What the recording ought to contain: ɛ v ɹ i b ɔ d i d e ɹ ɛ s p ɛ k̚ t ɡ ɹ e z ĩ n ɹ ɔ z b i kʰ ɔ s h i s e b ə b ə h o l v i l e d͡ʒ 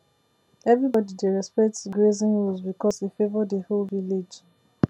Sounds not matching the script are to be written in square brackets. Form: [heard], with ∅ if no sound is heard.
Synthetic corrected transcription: ɛ v ɹ i b ɔ d i d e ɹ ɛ s p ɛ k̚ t ɡ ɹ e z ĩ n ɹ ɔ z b i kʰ ɔ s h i [f] e [v] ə [d] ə h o l v i l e d͡ʒ